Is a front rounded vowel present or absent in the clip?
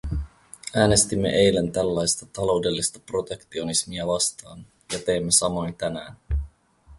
absent